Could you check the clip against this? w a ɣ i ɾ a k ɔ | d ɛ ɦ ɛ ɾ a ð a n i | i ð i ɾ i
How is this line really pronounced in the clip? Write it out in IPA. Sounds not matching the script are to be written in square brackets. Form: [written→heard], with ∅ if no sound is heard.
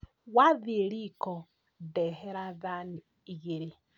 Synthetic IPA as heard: w a [ɣ→ð] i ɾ [a→i] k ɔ | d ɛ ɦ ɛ ɾ a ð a n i | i [ð→ɣ] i ɾ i